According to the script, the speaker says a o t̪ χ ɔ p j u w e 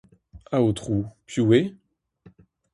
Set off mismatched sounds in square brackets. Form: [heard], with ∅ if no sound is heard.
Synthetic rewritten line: a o t̪ χ [u] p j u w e

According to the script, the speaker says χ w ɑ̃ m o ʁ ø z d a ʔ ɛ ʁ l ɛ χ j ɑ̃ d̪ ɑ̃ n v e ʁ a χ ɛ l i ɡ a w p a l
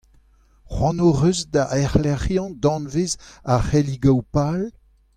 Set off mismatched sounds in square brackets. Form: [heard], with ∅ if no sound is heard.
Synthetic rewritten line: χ w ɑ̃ [n] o ʁ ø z d a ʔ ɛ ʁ l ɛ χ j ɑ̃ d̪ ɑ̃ n v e [z] a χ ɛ l i ɡ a w p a l

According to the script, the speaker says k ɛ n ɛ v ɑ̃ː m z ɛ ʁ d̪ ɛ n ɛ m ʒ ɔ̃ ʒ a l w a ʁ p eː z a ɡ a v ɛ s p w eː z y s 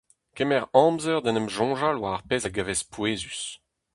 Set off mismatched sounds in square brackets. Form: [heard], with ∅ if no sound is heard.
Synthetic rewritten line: k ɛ [m] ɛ [ʁ] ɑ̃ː m z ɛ ʁ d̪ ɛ n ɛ m ʒ ɔ̃ ʒ a l w a ʁ p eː z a ɡ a v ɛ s p w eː z y s

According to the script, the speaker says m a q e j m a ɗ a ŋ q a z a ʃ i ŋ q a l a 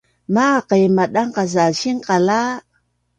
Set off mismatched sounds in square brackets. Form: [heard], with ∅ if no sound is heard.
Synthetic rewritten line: m a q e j m a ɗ a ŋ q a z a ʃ i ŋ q a l a

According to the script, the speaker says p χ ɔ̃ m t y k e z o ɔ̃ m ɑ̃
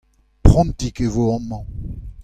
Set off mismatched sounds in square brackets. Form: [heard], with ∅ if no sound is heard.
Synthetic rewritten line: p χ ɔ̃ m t [i] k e [v] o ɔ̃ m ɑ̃

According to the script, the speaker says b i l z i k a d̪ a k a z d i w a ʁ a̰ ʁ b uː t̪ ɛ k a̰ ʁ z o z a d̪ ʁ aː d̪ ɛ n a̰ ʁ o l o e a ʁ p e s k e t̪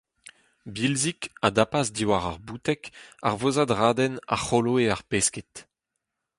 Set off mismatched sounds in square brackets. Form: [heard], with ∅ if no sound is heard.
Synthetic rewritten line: b i l z i k a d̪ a [p] a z d i w a ʁ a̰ ʁ b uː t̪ ɛ k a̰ ʁ [v] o z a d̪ ʁ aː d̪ ɛ n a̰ [χ] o l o e a ʁ p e s k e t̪

